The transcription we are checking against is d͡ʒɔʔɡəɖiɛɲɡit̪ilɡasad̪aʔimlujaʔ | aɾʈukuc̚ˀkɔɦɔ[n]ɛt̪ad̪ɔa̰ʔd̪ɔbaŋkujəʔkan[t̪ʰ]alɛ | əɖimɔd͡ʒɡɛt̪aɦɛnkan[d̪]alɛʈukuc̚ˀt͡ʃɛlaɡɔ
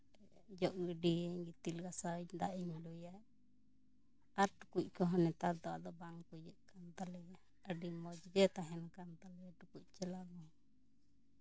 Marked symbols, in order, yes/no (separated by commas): yes, no, no